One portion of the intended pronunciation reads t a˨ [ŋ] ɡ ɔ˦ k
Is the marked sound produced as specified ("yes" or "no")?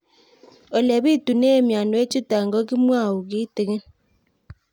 yes